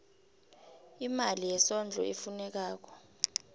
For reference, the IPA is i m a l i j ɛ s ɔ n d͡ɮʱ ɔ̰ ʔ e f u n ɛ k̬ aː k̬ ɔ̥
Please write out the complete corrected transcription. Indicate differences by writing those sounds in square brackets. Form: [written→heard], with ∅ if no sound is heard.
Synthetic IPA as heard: i m a l i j ɛ s ɔ n d͡ɮʱ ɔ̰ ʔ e f u n ɛ k̬ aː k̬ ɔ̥

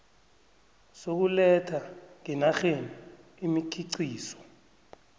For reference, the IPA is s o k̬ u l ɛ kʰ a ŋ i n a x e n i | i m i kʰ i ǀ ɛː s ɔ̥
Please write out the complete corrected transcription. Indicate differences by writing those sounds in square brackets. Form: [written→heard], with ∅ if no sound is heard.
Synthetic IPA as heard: s o k̬ u l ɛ [kʰ→tʰ] a ŋ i n a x e n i | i m i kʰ i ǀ [ɛː→iː] s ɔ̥

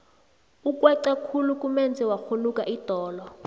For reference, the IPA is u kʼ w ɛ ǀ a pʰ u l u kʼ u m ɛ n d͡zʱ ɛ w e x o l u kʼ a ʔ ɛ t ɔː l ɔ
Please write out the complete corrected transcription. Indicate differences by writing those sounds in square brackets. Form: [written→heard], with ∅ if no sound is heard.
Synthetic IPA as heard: u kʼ w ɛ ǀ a [pʰ→kʰ] u l u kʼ u m ɛ n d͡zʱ ɛ w [e→a] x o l u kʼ a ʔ [ɛ→i] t ɔː l ɔ

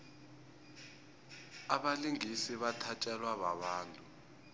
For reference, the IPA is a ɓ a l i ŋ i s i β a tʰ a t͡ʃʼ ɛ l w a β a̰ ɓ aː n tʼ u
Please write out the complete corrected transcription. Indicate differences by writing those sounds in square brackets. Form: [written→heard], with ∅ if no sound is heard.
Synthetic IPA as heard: a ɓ a l i ŋ i s i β a tʰ a t͡ʃʼ ɛ l w a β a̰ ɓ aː n tʼ u

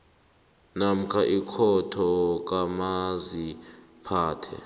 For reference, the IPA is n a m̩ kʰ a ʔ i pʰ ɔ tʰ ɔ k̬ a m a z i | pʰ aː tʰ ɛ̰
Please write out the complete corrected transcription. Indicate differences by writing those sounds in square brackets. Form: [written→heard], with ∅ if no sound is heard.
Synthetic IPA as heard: n a m̩ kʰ a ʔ i [pʰ→kʰ] ɔ tʰ ɔ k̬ a m a z i | pʰ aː tʰ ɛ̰

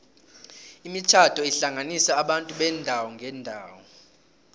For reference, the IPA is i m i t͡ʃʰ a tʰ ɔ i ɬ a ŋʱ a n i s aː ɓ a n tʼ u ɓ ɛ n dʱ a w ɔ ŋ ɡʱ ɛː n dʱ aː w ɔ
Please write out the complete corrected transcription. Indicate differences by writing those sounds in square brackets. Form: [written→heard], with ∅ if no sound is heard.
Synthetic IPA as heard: i m i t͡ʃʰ a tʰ ɔ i ɬ a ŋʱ a n i s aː ɓ a n tʼ u ɓ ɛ n dʱ a w ɔ ŋ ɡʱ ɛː n dʱ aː w ɔ

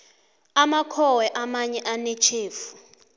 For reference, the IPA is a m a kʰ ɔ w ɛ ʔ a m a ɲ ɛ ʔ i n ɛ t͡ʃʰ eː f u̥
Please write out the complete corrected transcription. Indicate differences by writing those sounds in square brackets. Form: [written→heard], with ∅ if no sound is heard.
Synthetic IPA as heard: a m a kʰ ɔ w ɛ ʔ a m a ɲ ɛ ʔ [i→a] n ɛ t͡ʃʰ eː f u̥

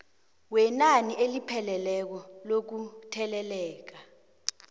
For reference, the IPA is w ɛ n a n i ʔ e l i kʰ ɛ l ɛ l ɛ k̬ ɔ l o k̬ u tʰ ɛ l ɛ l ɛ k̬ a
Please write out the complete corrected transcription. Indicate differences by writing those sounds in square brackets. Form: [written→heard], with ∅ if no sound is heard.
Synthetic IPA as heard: w ɛ n a n i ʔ e l i [kʰ→pʰ] ɛ l ɛ l ɛ k̬ ɔ l o k̬ u tʰ ɛ l ɛ l [ɛ→ɛː] k̬ a

